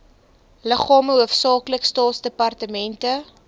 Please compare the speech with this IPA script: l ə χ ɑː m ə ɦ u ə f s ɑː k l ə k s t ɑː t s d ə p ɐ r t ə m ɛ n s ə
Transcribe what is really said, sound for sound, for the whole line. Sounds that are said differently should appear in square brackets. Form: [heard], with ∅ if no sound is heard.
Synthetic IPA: l ə χ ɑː m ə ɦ u ə f s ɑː k l ə k s t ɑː t s d ə p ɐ r t ə m ɛ n [t] ə